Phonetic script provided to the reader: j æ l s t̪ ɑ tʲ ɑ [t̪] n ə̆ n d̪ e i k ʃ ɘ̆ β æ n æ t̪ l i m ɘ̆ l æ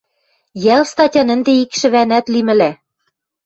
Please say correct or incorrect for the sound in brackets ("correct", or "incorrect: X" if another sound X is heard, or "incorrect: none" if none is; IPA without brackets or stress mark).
incorrect: none